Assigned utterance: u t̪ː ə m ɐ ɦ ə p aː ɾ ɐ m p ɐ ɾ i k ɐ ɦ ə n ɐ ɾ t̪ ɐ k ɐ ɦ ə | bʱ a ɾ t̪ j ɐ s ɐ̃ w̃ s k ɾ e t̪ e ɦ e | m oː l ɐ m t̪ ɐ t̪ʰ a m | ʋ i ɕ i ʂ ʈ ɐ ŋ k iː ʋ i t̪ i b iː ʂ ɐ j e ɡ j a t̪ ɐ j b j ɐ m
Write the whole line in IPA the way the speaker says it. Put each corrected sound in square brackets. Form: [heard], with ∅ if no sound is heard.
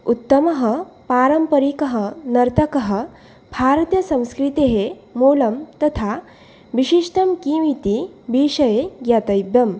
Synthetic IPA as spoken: u t̪ː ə m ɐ ɦ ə p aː ɾ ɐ m p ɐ ɾ i k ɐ ɦ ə n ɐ ɾ t̪ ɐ k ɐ ɦ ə | bʱ a ɾ t̪ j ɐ s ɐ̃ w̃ s k ɾ [i] t̪ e ɦ e | m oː l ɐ m t̪ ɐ t̪ʰ a [∅] | ʋ i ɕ i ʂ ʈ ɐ [m] k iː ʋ i t̪ i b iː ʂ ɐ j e ɡ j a t̪ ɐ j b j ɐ m